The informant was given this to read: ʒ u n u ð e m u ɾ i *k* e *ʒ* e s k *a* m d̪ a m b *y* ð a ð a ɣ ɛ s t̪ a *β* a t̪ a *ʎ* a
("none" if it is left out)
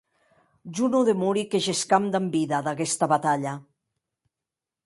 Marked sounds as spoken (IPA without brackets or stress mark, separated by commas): k, ʒ, a, i, β, ʎ